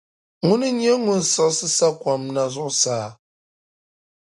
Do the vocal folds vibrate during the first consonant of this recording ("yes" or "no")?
yes